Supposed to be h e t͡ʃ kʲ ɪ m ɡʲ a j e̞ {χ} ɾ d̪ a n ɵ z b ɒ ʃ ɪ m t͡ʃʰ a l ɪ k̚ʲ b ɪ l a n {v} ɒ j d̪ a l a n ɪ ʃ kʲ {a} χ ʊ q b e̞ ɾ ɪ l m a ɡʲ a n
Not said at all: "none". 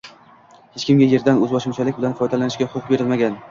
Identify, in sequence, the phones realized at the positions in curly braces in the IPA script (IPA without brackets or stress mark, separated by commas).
none, f, a